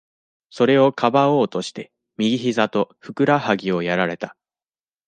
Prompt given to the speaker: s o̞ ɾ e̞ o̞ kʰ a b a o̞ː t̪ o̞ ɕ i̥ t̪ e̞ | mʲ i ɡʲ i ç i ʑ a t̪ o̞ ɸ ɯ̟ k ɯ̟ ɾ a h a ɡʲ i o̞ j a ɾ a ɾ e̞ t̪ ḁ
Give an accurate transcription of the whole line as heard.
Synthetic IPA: s o̞ ɾ e̞ o̞ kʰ a b a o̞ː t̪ o̞ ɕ i̥ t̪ e̞ | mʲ i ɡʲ i ç i z a t̪ o̞ ɸ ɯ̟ k ɯ̟ ɾ a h a ɡʲ i o̞ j a ɾ a ɾ e̞ t̪ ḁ